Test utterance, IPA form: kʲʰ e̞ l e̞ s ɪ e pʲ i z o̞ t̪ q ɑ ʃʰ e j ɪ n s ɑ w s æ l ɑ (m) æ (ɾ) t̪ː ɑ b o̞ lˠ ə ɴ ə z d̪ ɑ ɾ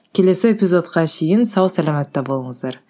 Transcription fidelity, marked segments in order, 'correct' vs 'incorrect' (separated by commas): correct, incorrect